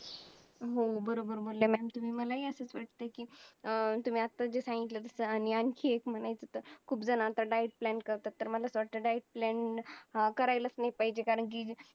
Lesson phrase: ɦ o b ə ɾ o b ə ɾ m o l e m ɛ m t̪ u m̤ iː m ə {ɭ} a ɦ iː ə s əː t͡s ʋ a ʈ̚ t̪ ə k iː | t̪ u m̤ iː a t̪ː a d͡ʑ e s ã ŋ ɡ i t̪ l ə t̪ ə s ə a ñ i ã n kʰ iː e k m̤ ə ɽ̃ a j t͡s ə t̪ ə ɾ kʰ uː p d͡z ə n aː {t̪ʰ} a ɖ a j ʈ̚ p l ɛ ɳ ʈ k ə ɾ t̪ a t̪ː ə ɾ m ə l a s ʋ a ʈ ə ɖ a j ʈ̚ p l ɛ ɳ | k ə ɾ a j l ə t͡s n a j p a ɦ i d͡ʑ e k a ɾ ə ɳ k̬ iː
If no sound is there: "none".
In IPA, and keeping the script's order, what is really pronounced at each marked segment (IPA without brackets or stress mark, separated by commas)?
l, t̪